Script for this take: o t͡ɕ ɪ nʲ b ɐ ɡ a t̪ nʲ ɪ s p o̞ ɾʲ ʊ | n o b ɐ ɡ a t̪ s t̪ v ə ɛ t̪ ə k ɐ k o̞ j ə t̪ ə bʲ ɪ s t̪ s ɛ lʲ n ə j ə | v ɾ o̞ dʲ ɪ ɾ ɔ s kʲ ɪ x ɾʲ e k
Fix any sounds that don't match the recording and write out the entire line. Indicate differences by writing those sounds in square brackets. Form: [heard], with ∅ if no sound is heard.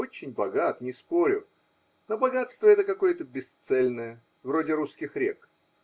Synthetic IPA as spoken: o t͡ɕ ɪ nʲ b ɐ ɡ a t̪ nʲ ɪ s p o̞ ɾʲ ʊ | n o b ɐ ɡ a t̪ s t̪ v ə ɛ t̪ ə k ɐ k o̞ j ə t̪ ə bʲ ɪ s t̪ s ɛ lʲ n ə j ə | v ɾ o̞ dʲ ɪ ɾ [u] s kʲ ɪ x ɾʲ e k